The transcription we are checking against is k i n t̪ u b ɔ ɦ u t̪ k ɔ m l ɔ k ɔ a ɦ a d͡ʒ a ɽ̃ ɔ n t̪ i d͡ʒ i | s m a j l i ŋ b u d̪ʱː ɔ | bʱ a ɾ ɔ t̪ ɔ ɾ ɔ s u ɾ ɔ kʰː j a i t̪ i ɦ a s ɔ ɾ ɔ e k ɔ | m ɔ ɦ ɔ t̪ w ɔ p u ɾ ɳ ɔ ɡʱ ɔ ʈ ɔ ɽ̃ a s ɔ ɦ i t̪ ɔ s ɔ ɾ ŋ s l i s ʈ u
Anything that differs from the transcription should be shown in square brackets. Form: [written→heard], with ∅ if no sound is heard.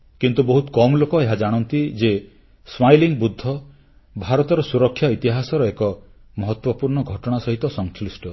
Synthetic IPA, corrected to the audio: k i n t̪ u b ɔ ɦ u t̪ k ɔ m l [ɔ→o] k ɔ [a→e] ɦ a d͡ʒ a ɽ̃ ɔ n t̪ i d͡ʒ [i→e] | s m a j l i ŋ b u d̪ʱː ɔ | bʱ a ɾ ɔ t̪ ɔ ɾ ɔ s u ɾ ɔ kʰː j a i t̪ i ɦ a s ɔ ɾ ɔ e k ɔ | m ɔ ɦ ɔ t̪ w ɔ p u ɾ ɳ ɔ ɡʱ ɔ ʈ ɔ ɽ̃ a s ɔ ɦ i t̪ ɔ s ɔ [ɾ→∅] ŋ s l i s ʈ [u→ɔ]